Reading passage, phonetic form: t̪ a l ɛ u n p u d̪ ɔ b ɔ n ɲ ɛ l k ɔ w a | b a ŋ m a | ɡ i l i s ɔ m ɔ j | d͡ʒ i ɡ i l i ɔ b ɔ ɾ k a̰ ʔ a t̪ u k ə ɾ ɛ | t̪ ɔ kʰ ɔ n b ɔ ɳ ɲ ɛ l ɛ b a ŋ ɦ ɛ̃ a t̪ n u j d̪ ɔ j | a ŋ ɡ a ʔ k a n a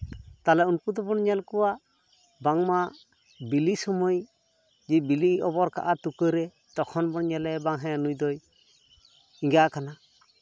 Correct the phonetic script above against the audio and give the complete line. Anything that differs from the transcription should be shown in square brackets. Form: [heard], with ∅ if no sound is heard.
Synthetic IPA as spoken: t̪ a l ɛ u n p u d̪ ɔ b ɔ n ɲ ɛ l k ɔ w a | b a ŋ m a | [b] i l i s ɔ m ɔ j | d͡ʒ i [b] i l i ɔ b ɔ ɾ k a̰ ʔ a t̪ u k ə ɾ ɛ | t̪ ɔ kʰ ɔ n b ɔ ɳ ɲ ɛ l ɛ b a ŋ ɦ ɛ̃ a [∅] n u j d̪ ɔ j | [i] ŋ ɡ a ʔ k a n a